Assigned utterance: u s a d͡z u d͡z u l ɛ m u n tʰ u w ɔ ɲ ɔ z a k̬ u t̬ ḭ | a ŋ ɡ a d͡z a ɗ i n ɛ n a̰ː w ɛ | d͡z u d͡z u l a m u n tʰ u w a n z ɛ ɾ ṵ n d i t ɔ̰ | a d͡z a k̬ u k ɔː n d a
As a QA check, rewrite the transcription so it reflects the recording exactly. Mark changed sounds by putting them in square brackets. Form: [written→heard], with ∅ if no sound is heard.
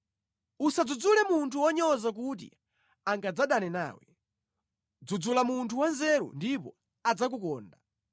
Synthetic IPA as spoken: u s a d͡z u d͡z u l ɛ m u n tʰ u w ɔ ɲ ɔ z a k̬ u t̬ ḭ | a ŋ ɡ a d͡z a ɗ [i→a] n ɛ n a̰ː w ɛ | d͡z u d͡z u l a m u n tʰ u w a n z ɛ ɾ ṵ n d i [t→p] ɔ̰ | a d͡z a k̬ u k ɔː n d a